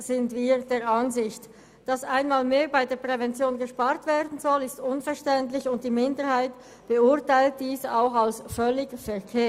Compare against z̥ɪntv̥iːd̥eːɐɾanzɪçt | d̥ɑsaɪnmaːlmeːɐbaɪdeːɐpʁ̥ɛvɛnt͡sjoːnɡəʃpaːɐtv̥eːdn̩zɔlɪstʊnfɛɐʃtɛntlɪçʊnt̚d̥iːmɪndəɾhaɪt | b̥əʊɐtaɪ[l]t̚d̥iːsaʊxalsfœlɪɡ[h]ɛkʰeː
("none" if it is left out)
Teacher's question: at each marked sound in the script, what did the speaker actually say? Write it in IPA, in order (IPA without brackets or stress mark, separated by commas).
l, f